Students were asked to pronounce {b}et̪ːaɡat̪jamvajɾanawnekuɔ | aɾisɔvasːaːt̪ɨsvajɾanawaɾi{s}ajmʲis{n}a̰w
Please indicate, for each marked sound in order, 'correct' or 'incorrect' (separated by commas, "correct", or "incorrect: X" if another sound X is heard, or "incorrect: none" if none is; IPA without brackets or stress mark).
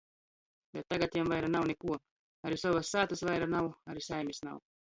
correct, correct, correct